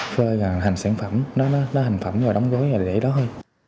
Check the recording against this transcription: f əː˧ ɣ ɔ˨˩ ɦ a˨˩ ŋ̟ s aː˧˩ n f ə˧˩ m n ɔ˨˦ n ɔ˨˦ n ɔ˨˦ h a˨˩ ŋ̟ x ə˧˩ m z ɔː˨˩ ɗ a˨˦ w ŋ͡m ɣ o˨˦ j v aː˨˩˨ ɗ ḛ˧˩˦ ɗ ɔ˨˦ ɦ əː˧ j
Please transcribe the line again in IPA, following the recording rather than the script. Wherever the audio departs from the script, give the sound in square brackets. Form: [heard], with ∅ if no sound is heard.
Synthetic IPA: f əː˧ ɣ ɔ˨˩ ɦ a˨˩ ŋ̟ s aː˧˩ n f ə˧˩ m n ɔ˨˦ n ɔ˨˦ n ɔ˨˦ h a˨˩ ŋ̟ [f] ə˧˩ m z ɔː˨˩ ɗ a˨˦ w ŋ͡m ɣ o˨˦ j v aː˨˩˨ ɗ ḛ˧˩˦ ɗ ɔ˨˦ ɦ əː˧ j